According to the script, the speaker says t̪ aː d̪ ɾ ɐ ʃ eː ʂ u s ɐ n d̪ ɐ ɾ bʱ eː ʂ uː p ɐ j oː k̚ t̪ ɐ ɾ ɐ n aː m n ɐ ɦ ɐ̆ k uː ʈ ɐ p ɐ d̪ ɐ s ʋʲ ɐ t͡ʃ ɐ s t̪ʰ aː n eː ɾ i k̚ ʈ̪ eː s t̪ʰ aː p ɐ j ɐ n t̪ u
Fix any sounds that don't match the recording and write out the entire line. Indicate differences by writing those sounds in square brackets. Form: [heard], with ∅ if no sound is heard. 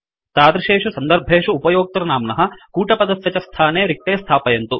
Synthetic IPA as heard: t̪ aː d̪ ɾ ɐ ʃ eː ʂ u s ɐ n d̪ ɐ ɾ bʱ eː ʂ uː p ɐ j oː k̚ t̪ ɐ ɾ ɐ n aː m n ɐ ɦ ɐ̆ k uː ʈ ɐ p ɐ d̪ ɐ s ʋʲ ɐ t͡ʃ ɐ s t̪ʰ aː n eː ɾ i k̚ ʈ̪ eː s t̪ʰ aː p ɐ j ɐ n t̪ u